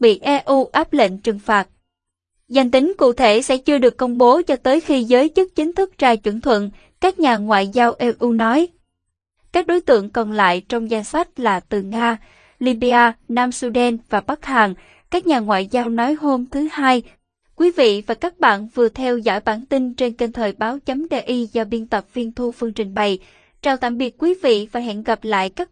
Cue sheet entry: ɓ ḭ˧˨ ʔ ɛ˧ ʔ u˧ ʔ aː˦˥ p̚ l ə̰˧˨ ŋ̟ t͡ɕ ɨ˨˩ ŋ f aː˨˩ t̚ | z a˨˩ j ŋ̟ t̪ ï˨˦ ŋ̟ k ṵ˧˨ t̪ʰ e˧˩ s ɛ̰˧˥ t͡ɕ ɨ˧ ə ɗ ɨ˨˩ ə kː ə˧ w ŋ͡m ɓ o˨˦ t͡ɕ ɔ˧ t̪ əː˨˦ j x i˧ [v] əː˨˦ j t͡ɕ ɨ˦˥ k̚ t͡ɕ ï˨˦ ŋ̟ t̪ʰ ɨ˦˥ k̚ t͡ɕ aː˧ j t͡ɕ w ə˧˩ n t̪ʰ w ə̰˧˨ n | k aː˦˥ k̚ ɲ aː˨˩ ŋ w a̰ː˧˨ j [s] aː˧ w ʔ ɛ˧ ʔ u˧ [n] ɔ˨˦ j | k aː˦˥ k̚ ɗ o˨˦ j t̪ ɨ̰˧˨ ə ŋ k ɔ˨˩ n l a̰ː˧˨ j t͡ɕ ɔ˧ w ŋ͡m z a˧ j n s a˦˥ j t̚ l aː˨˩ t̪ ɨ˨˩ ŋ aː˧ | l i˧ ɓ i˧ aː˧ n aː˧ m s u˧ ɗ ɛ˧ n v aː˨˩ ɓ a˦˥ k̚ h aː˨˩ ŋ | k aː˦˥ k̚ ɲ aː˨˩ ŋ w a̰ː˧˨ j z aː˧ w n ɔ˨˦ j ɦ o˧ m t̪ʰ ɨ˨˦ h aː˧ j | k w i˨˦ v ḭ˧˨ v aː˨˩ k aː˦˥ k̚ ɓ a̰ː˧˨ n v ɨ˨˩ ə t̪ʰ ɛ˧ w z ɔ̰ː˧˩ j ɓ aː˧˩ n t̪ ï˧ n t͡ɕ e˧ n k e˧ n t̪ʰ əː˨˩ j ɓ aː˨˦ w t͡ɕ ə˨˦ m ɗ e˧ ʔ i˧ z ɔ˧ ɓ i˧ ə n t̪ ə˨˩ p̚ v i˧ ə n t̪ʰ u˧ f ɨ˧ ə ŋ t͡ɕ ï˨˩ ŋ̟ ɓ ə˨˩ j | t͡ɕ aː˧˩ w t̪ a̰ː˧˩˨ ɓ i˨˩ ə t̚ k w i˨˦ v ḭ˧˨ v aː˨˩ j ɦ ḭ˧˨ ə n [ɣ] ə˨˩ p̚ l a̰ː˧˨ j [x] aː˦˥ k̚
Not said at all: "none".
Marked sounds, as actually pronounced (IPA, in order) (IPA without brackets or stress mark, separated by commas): z, z, n, ɣ, k